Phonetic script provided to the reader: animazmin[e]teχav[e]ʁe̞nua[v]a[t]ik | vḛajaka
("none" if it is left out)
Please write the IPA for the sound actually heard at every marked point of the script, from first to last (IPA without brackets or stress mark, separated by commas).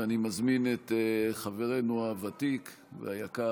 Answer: e, e, v, t